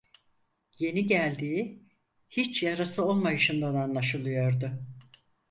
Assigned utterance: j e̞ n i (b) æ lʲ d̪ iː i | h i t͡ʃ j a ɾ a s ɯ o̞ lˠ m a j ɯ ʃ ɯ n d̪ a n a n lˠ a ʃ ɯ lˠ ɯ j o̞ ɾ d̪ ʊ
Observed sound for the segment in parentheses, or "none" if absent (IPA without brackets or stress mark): ɟ